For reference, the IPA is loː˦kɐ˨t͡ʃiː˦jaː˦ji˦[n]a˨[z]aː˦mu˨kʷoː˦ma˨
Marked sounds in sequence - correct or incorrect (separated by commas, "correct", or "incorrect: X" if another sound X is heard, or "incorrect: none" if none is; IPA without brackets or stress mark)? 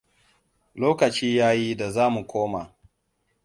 incorrect: d, correct